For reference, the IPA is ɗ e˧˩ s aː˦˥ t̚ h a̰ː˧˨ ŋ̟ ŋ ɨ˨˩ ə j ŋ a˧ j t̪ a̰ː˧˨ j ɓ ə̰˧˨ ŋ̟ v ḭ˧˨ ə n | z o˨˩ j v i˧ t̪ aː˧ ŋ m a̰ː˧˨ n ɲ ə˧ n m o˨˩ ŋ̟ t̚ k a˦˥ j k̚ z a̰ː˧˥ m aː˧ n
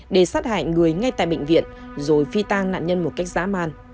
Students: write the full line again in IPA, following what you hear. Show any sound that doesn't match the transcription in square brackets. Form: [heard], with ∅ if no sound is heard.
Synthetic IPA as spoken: ɗ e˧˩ s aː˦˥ t̚ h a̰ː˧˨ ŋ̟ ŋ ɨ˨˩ ə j ŋ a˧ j t̪ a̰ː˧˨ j ɓ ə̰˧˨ ŋ̟ v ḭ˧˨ ə n | z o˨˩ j [f] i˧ t̪ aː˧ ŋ [n] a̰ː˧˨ n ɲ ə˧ n m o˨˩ [∅] t̚ k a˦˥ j k̚ z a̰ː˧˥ m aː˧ n